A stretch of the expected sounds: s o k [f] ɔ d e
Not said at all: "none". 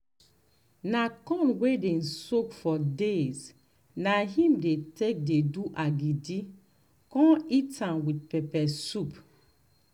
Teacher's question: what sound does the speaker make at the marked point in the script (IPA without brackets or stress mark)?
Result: f